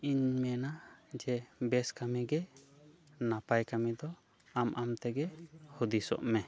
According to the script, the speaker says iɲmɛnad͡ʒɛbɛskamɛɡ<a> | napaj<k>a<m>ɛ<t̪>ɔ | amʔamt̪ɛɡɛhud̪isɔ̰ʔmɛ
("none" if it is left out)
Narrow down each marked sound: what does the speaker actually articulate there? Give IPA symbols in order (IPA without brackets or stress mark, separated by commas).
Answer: ɛ, k, m, d̪